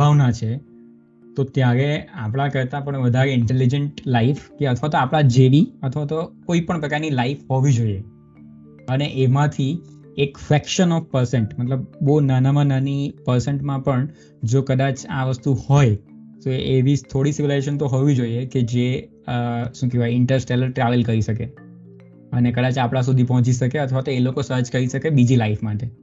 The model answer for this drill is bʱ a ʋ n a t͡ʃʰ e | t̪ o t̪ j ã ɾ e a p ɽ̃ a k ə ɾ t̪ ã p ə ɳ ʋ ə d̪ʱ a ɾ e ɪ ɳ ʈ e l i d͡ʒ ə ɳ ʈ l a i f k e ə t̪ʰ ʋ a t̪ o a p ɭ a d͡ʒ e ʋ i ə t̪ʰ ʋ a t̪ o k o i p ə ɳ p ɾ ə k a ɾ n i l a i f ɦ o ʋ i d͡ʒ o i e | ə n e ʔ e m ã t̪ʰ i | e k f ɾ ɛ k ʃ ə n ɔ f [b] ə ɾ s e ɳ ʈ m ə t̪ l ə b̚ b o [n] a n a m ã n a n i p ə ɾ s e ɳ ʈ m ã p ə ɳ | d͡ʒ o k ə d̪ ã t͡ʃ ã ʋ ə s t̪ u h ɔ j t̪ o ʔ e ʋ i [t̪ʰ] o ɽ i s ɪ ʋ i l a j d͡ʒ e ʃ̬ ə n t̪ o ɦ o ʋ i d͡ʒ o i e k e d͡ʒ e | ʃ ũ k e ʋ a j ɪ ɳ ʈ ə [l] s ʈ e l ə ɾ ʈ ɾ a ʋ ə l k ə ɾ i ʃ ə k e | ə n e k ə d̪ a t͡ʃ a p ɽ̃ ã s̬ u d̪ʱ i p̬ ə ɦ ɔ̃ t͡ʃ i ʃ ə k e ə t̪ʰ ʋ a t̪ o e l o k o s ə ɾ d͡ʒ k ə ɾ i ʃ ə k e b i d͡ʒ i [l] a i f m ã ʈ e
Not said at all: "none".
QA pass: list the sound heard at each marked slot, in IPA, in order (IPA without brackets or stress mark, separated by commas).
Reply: p, n, t̪ʰ, ɾ, l